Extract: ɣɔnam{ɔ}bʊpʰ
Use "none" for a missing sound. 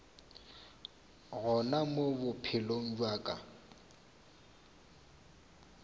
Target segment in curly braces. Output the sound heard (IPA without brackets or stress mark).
o